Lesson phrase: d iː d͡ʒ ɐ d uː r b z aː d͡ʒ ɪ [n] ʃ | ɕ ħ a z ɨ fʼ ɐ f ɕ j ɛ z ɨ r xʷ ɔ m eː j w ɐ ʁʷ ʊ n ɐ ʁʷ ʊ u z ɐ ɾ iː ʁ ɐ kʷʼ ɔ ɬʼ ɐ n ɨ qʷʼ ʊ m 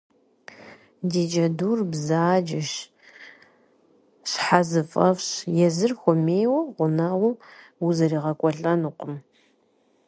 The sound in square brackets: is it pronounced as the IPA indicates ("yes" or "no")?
no